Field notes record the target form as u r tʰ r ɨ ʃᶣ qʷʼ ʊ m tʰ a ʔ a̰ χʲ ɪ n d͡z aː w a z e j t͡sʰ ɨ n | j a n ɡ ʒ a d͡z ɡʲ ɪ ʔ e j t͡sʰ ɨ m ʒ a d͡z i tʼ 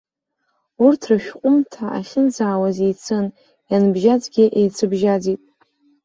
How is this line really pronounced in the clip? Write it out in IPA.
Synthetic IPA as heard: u r tʰ r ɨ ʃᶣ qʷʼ ʊ m tʰ a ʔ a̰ χʲ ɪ n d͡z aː w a z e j t͡sʰ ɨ n | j a n b ʒ a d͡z ɡʲ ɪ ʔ e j t͡sʰ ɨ b ʒ a d͡z i tʼ